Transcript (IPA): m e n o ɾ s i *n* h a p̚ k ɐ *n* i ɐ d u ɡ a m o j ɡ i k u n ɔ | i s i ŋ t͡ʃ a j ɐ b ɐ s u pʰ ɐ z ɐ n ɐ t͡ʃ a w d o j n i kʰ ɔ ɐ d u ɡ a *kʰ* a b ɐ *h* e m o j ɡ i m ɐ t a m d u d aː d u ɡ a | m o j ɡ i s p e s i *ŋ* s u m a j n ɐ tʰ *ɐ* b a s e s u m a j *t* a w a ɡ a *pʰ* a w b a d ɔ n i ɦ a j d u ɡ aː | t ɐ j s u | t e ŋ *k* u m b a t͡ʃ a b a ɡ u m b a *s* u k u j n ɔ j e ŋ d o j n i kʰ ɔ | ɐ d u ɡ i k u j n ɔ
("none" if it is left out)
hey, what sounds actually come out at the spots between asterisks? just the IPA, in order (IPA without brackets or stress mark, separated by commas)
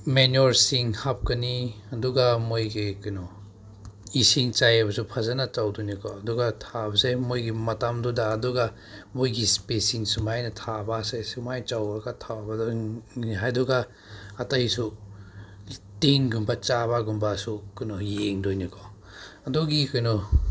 ŋ, n, tʰ, s, ŋ, a, t͡ʃ, tʰ, ɡ, s